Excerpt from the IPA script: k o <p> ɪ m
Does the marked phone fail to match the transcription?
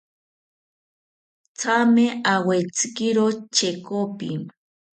no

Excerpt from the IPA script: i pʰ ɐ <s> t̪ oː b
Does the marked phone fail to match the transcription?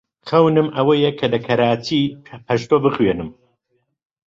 yes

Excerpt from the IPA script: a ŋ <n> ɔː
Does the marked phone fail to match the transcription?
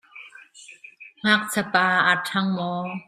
yes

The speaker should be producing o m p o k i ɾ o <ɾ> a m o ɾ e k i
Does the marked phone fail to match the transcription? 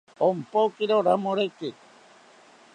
no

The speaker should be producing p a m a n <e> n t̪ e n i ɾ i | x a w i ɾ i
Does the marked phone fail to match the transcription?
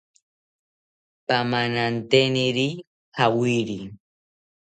yes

